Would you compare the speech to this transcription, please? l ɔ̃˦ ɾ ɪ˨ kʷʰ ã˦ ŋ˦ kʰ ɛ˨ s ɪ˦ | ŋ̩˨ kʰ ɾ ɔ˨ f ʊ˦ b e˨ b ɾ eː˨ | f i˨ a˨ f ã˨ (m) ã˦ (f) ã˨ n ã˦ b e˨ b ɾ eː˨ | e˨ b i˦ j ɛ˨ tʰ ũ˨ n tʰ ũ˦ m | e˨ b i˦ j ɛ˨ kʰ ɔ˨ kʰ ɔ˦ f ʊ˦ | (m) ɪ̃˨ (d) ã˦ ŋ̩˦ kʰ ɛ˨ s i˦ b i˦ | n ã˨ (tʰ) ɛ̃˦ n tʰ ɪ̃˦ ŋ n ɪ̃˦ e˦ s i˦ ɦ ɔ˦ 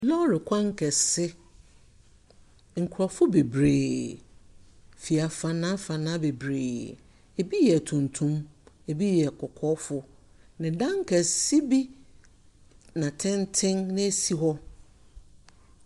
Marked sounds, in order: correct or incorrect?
incorrect, correct, incorrect, correct, correct

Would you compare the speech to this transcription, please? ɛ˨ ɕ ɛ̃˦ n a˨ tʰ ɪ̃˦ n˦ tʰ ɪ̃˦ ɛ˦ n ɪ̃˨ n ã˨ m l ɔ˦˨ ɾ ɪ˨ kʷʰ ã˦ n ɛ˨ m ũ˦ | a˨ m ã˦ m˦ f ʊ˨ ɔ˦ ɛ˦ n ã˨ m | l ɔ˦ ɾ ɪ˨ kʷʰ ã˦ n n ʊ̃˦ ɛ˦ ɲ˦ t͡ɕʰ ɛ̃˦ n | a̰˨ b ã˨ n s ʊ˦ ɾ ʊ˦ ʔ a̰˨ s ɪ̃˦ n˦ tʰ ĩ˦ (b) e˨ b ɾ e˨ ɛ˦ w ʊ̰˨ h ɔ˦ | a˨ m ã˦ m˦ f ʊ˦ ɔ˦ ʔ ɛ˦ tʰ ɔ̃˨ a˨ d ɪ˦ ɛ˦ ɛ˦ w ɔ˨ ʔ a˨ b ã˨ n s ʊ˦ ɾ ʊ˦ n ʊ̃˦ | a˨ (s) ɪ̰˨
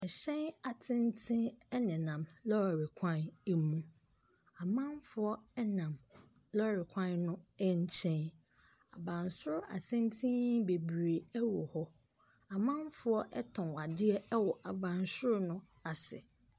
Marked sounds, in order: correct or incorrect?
correct, correct

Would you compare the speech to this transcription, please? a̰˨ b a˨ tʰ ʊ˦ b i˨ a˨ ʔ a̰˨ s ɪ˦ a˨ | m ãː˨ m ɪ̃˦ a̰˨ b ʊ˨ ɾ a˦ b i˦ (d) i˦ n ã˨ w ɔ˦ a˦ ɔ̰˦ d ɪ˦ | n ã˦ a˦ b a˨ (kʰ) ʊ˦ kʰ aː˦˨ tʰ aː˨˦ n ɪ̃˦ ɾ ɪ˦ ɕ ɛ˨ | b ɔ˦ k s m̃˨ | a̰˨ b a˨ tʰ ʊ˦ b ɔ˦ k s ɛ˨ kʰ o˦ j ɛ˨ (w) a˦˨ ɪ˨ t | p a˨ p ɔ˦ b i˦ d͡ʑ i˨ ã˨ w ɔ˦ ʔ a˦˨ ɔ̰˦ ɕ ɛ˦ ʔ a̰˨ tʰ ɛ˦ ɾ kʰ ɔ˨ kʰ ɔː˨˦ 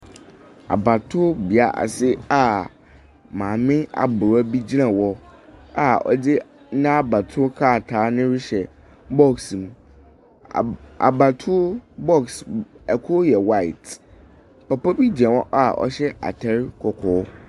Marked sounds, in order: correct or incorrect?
incorrect, incorrect, correct

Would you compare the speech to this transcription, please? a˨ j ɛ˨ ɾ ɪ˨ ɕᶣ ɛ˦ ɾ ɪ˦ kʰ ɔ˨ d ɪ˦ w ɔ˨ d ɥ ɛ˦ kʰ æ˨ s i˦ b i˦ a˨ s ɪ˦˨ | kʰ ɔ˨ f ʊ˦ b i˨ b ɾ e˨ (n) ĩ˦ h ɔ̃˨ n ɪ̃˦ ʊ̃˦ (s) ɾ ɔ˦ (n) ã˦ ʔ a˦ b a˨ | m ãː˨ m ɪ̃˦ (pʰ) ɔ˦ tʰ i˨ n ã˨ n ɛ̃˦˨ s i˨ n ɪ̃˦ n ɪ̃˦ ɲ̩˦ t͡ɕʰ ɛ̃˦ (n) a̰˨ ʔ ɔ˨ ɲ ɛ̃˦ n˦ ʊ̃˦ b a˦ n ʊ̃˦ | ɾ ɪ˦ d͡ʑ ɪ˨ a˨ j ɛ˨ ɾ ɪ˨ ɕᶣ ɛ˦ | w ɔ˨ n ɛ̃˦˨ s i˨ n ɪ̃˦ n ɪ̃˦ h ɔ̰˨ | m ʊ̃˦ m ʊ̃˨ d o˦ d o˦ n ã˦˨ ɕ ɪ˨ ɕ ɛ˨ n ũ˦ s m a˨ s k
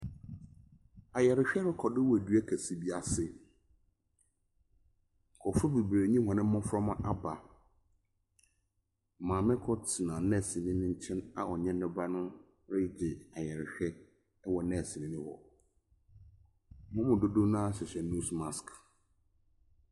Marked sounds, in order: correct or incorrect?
incorrect, incorrect, incorrect, incorrect, correct

